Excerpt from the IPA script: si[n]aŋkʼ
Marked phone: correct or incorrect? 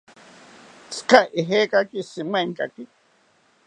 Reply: incorrect: m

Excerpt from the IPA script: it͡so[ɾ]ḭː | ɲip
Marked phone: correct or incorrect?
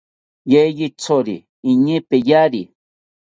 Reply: correct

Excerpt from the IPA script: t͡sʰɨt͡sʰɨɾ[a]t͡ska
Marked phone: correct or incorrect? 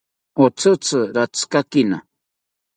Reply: correct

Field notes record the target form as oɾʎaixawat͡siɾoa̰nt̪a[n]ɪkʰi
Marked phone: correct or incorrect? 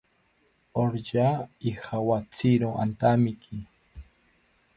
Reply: incorrect: m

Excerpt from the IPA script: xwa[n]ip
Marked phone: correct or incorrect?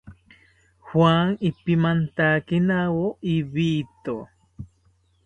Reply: incorrect: ŋ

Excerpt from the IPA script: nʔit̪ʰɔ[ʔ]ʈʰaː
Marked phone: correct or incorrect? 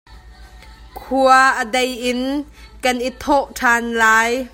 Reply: correct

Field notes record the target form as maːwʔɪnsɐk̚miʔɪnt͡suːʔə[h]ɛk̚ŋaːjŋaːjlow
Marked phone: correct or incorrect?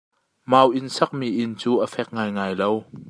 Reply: incorrect: f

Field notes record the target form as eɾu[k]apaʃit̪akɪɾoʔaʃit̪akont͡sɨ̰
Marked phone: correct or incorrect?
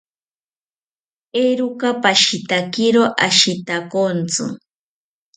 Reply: correct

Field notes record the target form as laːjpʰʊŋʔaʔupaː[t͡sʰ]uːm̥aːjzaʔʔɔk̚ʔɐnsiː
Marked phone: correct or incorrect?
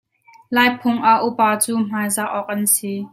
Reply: incorrect: t͡s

